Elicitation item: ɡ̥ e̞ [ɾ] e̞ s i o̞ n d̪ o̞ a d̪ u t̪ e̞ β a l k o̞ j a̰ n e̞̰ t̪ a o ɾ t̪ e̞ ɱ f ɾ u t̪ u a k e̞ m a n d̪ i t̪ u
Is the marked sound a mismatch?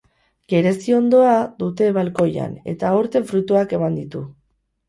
no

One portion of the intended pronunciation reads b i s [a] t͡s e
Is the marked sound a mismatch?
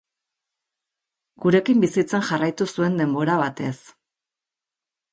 yes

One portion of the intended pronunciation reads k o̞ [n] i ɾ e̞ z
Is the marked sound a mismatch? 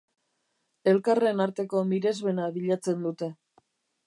yes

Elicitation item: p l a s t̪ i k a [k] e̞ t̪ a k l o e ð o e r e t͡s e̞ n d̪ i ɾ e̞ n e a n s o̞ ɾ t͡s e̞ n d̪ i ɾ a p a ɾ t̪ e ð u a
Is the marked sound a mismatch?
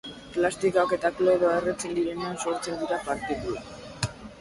no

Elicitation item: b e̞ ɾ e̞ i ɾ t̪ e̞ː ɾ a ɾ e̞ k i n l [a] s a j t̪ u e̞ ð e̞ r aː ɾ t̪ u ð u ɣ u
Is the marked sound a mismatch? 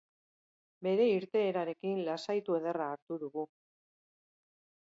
no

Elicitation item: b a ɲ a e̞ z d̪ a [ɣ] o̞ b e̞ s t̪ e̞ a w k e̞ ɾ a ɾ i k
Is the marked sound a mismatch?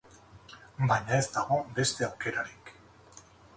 no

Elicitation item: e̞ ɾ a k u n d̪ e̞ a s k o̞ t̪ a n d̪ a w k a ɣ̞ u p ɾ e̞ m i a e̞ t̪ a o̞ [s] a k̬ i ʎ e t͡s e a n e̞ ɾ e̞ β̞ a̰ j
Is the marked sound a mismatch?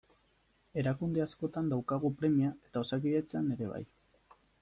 no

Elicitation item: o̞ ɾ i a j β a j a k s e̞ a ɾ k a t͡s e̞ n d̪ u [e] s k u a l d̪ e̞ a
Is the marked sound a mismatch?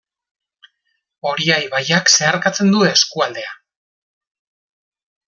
no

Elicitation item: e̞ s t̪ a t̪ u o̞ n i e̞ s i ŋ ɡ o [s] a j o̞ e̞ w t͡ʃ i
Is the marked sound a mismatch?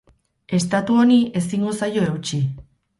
no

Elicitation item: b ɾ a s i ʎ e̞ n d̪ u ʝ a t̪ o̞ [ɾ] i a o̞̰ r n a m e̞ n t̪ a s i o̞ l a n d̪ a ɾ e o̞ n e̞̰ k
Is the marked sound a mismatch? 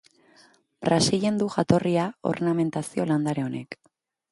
yes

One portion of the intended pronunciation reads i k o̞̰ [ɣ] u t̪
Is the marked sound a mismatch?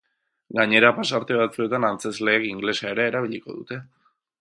yes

